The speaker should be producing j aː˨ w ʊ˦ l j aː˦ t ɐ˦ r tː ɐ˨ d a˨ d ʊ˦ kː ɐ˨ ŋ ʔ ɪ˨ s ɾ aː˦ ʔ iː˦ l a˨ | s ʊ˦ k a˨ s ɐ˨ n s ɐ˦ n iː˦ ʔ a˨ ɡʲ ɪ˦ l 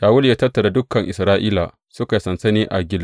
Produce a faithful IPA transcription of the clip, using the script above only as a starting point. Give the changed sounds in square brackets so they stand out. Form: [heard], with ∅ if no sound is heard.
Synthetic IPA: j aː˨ w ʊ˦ l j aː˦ t ɐ˦ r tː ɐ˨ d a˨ d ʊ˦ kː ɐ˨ ŋ ʔ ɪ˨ s ɾ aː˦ ʔ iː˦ l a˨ | s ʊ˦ k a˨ s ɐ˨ n s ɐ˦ n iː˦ ʔ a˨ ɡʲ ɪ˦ l